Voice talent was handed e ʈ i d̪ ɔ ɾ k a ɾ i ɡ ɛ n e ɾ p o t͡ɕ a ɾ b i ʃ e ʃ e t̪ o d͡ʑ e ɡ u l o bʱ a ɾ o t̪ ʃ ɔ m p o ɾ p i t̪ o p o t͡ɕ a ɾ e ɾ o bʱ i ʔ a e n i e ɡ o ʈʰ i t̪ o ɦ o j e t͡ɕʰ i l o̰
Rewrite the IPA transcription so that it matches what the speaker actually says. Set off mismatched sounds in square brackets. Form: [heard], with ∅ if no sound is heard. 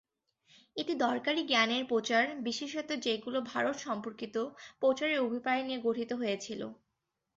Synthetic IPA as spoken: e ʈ i d̪ ɔ ɾ k a ɾ i ɡ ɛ n e ɾ p o t͡ɕ a ɾ b i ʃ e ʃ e t̪ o d͡ʑ e ɡ u l o bʱ a ɾ o t̪ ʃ ɔ m p o ɾ [k] i t̪ o p o t͡ɕ a ɾ e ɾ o bʱ i [p] a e n i e ɡ o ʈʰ i t̪ o ɦ o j e t͡ɕʰ i l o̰